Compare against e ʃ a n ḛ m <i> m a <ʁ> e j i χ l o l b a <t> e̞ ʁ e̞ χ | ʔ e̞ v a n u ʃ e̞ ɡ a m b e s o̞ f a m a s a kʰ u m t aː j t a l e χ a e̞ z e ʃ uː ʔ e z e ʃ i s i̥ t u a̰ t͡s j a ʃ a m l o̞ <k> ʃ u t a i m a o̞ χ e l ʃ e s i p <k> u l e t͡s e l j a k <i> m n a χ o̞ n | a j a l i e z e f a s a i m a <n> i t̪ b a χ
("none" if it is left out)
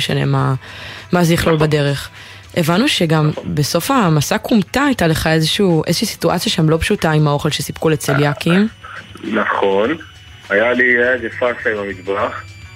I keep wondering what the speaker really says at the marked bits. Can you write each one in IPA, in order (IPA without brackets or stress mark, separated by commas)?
a, z, d, p, k, i, m